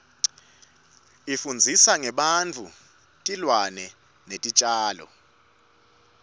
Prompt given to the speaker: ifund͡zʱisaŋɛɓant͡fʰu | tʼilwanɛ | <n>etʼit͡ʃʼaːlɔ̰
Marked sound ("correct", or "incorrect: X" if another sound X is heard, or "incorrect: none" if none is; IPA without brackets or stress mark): correct